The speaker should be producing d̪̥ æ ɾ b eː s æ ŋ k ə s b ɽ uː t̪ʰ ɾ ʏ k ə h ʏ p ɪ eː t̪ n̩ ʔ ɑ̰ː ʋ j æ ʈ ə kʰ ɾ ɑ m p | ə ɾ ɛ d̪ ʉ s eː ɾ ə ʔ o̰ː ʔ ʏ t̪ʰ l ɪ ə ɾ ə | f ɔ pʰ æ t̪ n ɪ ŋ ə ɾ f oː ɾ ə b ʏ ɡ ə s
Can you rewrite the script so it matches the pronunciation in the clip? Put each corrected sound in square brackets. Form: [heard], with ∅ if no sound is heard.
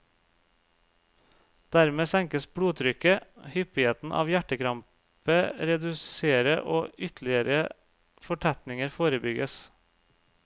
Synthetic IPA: d̪̥ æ ɾ [m] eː s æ ŋ k ə s b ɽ uː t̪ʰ ɾ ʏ k ə h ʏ p ɪ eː t̪ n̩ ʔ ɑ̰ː ʋ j æ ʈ ə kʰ ɾ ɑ m p | ə ɾ ɛ d̪ ʉ s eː ɾ ə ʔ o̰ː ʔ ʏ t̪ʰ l ɪ ə ɾ ə | f ɔ [ʈʰ] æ t̪ n ɪ ŋ ə ɾ f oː ɾ ə b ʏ ɡ ə s